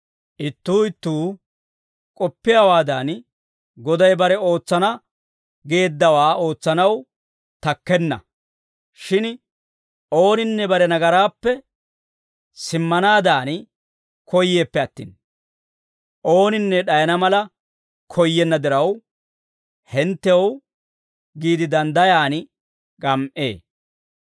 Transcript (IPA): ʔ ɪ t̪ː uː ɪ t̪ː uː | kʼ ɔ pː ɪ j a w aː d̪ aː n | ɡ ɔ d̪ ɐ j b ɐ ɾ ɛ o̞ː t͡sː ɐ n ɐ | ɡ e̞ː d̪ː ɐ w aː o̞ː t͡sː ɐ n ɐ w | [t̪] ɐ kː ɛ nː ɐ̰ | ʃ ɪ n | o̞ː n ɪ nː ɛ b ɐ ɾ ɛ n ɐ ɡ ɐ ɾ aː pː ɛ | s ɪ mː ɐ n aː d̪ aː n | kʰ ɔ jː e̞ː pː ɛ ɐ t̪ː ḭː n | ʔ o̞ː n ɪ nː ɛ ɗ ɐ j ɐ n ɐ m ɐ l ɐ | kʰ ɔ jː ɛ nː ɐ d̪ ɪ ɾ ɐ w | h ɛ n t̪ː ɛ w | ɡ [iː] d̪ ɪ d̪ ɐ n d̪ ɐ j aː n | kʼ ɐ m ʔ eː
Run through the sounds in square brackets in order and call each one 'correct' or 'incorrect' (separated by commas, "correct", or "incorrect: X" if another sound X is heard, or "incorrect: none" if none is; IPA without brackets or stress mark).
correct, correct